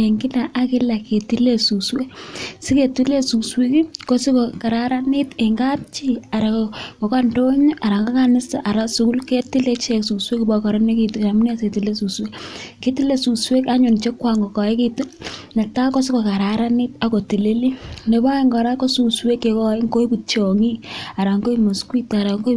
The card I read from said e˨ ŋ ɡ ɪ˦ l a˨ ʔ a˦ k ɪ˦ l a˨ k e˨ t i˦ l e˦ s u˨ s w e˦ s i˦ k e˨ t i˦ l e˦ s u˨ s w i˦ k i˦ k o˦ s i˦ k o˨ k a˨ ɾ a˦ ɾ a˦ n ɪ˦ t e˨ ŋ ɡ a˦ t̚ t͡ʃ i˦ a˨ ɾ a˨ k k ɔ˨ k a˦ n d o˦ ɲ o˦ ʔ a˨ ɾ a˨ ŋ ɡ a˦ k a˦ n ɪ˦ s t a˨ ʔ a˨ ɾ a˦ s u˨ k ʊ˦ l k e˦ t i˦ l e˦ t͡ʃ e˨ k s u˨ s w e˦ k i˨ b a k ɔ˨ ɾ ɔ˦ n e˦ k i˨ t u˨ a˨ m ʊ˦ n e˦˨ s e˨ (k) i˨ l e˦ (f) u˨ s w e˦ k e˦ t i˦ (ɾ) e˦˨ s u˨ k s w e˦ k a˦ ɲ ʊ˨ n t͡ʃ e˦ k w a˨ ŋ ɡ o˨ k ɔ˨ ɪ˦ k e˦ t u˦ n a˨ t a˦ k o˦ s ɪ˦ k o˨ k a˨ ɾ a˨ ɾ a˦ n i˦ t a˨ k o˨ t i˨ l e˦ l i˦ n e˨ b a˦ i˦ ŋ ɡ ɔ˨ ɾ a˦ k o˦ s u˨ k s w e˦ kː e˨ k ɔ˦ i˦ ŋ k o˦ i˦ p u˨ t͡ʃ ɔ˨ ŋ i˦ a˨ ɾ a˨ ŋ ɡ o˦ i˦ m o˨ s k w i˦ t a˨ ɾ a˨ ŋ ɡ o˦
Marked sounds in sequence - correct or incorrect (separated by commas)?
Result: incorrect, incorrect, incorrect